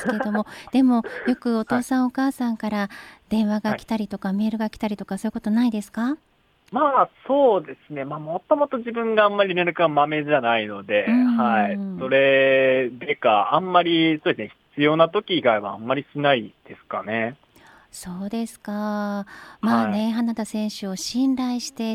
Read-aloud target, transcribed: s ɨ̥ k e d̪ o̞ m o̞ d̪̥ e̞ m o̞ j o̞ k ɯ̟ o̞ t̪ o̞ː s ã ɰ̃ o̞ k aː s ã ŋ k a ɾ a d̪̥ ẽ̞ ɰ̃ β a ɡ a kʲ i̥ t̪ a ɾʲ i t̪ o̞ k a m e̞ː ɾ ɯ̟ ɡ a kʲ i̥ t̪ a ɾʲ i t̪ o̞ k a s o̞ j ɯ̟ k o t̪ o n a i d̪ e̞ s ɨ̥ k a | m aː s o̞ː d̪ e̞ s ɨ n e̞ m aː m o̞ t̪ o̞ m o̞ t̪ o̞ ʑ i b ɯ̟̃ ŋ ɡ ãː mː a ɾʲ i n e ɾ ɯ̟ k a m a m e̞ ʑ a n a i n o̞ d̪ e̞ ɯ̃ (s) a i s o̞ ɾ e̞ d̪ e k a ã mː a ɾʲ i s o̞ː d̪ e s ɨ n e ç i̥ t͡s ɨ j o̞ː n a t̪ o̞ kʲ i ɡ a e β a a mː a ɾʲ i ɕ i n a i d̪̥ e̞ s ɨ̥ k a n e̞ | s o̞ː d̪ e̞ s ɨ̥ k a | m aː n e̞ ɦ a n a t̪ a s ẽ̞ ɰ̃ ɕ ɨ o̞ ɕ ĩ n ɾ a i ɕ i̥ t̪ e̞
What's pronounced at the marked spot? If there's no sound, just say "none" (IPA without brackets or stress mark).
h